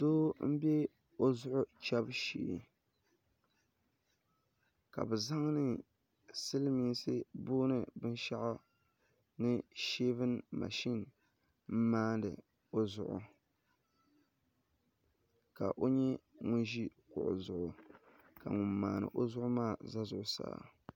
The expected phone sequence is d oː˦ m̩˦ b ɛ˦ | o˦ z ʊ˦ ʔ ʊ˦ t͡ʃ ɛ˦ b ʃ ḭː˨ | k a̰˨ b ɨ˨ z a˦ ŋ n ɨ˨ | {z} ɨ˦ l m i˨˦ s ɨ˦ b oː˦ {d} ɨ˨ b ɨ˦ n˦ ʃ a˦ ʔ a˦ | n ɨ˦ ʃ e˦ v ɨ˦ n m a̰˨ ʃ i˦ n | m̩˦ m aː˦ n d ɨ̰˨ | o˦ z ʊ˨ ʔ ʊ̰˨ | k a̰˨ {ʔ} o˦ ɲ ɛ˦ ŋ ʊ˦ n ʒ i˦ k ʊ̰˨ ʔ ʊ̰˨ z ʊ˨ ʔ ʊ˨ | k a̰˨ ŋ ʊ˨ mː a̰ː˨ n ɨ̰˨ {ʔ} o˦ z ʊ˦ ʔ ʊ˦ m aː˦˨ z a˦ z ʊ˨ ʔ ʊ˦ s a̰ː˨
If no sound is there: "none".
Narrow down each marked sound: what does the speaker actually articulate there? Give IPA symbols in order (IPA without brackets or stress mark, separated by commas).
s, n, ʔ, ʔ